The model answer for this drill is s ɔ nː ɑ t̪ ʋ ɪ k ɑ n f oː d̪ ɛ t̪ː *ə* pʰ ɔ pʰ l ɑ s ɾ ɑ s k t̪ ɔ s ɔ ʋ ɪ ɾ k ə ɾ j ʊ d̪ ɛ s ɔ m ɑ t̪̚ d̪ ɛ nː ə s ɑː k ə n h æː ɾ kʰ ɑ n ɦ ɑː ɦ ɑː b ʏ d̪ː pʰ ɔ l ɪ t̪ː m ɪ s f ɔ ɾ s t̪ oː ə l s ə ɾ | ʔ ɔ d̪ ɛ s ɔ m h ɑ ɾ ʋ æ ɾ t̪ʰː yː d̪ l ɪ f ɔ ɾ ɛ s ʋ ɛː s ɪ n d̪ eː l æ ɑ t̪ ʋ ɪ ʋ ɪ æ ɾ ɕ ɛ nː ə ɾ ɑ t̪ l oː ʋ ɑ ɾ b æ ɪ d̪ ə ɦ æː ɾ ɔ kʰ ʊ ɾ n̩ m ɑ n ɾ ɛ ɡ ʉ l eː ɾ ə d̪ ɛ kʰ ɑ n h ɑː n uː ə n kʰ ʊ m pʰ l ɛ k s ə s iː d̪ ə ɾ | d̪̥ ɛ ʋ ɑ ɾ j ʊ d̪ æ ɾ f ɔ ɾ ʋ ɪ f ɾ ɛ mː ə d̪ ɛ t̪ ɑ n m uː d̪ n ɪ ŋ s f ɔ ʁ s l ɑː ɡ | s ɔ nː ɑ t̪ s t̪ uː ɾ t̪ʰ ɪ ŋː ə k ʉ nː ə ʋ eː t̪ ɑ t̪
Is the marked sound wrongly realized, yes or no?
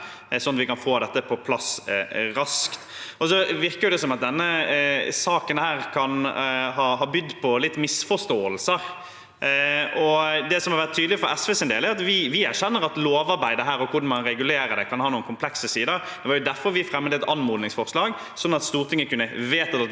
no